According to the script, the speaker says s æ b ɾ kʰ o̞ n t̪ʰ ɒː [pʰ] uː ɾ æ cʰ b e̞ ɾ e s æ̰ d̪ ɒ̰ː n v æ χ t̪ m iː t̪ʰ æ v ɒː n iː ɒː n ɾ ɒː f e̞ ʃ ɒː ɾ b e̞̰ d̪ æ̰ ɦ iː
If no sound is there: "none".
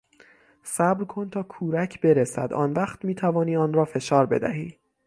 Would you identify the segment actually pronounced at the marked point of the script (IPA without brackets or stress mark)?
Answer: kʰ